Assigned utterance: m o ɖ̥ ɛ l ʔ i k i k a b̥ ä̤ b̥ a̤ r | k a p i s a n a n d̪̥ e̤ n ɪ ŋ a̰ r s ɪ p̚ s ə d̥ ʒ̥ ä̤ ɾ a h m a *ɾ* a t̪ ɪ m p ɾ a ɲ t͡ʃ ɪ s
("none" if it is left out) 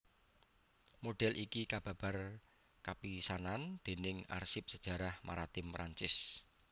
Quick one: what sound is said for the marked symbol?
ɾ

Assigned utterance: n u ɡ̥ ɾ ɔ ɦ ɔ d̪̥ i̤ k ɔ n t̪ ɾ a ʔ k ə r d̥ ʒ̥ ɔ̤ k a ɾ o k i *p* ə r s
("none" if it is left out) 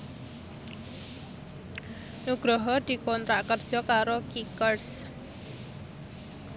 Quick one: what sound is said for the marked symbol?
k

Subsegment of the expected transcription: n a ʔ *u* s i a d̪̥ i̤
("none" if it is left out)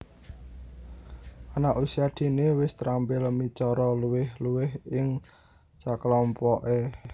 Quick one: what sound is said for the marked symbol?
u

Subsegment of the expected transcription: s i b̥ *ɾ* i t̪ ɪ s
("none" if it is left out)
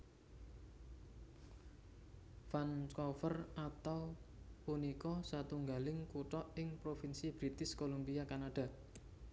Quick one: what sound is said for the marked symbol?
ɾ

